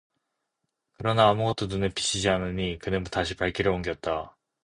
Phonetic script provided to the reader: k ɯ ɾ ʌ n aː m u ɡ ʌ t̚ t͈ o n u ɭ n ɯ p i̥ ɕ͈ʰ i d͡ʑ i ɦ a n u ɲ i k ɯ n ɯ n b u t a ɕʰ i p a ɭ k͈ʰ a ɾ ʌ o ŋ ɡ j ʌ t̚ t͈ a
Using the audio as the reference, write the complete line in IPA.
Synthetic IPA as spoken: k ɯ ɾ ʌ n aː m u ɡ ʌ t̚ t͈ o n u n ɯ p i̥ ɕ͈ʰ i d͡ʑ i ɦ a n ɯ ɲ i k ɯ n ɯ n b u t a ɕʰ i p a ɭ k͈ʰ i ɾ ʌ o ŋ ɡ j ʌ t̚ t͈ a

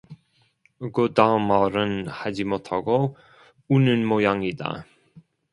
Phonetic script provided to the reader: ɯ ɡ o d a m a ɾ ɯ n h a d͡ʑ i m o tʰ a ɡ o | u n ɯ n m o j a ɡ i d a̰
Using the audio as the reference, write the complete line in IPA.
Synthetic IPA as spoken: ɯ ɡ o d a m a ɾ ɯ n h a d͡ʑ i m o tʰ a ɡ o | u n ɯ n m o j a ŋ i d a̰

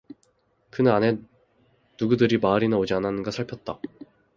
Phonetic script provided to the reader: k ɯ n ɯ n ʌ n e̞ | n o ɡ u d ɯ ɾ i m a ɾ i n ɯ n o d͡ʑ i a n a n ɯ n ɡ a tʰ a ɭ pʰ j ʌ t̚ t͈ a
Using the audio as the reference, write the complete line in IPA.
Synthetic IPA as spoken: k ɯ n ɯ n a n e̞ | n u ɡ u d ɯ ɾ i m a ɾ i n ɯ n o d͡ʑ i a n a n ɯ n ɡ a sʰ a ɭ pʰ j ʌ t̚ t͈ a

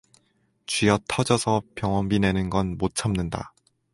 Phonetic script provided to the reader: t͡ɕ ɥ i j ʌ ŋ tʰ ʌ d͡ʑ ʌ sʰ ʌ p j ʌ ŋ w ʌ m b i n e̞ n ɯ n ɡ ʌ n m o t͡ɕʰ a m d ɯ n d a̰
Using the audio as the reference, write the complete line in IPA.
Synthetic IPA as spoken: t͡ɕ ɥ i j ʌ tʰ ʌ d͡ʑ ʌ sʰ ʌ p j ʌ ŋ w ʌ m b i n e̞ n ɯ n ɡ ʌ n m o t͡ɕʰ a m n ɯ n d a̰

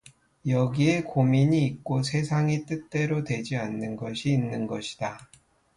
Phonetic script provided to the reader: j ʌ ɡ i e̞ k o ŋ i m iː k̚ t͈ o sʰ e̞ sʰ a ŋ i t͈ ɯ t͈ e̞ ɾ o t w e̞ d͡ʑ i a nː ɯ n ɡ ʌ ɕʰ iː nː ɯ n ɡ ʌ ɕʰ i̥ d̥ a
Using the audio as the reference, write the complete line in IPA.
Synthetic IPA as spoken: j ʌ ɡ i e̞ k o m i ɲ iː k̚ k͈ o sʰ e̞ sʰ a ŋ i t͈ ɯ t͈ e̞ ɾ o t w e̞ d͡ʑ i a nː ɯ n ɡ ʌ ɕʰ iː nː ɯ n ɡ ʌ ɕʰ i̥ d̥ a

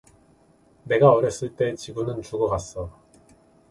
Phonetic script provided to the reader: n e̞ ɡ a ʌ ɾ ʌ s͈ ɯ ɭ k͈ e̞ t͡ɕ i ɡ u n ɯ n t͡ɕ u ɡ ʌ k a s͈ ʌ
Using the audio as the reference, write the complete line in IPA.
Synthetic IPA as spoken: n e̞ ɡ a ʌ ɾ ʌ s͈ ɯ ɭ t͈ e̞ t͡ɕ i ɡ u n ɯ n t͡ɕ u ɡ ʌ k a s͈ ʌ

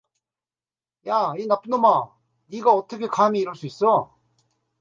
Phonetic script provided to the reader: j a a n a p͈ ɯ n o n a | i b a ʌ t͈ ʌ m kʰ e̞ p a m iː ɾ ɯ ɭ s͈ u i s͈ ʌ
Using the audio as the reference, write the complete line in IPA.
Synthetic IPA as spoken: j a i n a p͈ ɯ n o m a | i ɡ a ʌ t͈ ʌ kʰ e̞ k a m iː ɾ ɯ ɭ s͈ u i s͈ ʌ

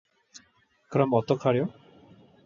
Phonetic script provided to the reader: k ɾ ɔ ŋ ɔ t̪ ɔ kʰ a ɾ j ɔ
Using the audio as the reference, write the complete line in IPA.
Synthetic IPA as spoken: k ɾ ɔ m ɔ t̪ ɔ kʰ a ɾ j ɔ

